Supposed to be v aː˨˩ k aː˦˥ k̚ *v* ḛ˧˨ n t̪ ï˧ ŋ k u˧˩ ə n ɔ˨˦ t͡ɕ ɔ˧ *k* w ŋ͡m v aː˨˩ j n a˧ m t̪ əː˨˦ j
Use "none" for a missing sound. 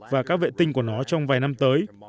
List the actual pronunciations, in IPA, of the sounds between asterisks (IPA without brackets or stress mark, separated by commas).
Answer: v, none